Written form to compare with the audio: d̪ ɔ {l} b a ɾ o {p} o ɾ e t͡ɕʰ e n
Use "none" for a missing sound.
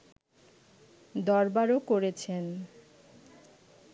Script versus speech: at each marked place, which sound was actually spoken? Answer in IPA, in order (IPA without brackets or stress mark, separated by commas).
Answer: ɾ, k